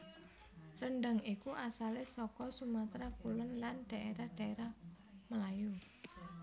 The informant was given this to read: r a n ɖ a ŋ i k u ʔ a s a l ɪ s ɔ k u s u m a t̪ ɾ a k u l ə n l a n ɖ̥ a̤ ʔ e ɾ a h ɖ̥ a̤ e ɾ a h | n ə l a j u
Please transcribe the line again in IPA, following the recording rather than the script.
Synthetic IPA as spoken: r ə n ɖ a ŋ i k u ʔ a s a l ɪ s ɔ k ɔ s u m a t̪ ɾ a k u l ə n l a n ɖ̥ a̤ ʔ e ɾ a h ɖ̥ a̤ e ɾ a h | m ə l a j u